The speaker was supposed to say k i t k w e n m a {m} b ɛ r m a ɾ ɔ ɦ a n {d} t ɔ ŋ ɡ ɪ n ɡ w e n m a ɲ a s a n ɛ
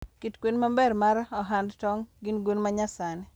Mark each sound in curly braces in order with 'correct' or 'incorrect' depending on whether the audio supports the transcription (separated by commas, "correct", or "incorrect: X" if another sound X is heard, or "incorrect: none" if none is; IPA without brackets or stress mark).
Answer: correct, correct